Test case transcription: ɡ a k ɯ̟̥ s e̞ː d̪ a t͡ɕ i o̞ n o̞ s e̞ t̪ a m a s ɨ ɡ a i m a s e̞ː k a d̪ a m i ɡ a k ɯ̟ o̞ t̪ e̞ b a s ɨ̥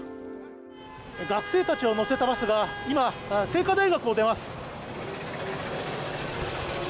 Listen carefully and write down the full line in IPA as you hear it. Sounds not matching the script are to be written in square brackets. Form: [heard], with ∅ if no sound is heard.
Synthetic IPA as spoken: ɡ a k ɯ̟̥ s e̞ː [t̪] a t͡ɕ i o̞ n o̞ s e̞ t̪ a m a s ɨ ɡ a i m a s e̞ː k a d̪ a [∅] i ɡ a k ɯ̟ o̞ [d̪] e̞ [m] a s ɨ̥